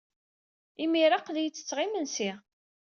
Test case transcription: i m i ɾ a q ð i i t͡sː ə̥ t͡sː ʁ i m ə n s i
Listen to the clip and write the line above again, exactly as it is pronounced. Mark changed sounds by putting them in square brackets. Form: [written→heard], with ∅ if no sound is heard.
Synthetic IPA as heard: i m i ɾ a q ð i [i→j] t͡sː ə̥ t͡sː ʁ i m ə n s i